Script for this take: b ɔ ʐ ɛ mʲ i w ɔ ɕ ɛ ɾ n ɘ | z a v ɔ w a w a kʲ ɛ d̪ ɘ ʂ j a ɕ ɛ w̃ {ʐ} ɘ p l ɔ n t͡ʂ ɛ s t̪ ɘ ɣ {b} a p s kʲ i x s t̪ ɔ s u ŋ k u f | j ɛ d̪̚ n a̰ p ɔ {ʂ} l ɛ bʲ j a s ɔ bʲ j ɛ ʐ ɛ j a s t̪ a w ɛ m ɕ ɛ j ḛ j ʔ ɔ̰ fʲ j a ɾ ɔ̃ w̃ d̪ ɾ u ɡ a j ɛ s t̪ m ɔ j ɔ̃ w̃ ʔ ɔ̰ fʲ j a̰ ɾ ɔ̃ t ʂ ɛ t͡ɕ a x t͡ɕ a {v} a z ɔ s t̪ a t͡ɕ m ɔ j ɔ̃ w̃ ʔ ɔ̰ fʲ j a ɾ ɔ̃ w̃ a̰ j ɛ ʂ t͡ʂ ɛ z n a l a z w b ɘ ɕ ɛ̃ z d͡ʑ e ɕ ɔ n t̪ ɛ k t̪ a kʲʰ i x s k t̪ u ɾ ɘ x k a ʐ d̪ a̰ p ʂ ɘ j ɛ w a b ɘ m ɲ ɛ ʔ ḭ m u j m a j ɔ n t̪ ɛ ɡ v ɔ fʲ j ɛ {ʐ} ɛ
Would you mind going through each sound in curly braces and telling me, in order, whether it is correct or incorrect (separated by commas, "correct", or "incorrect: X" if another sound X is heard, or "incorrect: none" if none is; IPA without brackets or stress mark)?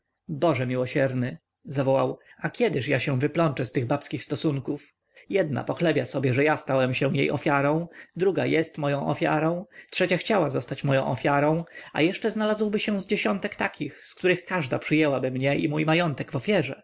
incorrect: v, correct, incorrect: x, incorrect: w, correct